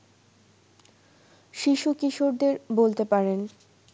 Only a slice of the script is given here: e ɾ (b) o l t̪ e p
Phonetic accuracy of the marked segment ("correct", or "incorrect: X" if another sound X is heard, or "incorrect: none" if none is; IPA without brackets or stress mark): correct